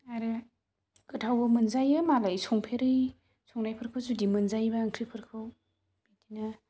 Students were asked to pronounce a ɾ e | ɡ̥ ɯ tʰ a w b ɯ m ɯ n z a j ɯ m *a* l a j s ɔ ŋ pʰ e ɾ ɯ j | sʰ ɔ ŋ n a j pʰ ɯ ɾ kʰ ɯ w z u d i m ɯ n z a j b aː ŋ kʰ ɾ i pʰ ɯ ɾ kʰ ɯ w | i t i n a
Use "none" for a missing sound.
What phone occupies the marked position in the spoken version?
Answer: a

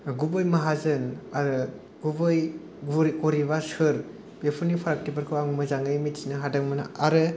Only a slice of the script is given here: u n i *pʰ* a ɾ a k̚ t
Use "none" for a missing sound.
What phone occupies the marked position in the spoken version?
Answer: pʰ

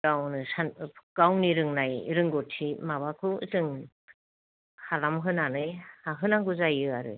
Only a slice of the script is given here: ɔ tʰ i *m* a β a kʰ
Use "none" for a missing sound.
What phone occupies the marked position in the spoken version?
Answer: m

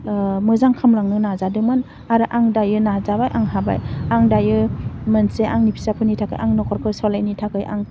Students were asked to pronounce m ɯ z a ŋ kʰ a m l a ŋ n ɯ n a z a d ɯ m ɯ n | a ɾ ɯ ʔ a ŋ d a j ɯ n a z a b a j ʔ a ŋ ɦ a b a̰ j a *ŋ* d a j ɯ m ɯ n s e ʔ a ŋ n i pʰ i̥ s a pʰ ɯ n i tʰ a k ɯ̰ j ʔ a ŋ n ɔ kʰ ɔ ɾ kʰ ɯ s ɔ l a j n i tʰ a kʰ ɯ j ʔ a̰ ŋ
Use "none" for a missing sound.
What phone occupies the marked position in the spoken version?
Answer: ŋ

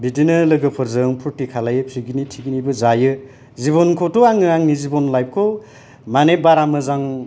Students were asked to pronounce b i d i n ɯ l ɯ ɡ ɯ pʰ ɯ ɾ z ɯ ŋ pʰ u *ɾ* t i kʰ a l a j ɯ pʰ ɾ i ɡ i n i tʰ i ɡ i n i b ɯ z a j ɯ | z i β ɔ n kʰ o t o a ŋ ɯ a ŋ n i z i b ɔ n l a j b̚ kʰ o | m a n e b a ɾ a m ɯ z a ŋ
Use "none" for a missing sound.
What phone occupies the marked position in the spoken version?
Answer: ɾ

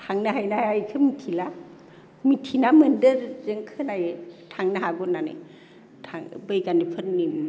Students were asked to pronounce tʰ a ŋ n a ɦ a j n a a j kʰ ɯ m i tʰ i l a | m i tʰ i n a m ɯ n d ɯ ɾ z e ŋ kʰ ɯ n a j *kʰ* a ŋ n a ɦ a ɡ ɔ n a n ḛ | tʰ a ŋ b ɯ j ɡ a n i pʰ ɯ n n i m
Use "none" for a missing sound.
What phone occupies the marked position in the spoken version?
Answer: tʰ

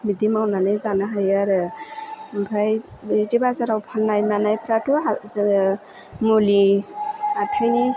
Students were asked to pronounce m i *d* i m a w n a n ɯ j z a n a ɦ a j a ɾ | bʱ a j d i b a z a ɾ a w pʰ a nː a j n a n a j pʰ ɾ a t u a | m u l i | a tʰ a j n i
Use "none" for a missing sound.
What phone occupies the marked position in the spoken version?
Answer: d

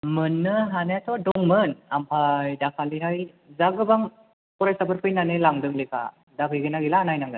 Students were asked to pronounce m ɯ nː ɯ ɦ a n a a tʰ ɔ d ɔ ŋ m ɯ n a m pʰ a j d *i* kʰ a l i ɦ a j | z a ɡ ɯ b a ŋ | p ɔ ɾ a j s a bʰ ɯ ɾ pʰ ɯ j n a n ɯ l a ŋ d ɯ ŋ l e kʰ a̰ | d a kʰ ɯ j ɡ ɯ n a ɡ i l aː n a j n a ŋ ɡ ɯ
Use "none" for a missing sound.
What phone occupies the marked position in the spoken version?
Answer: a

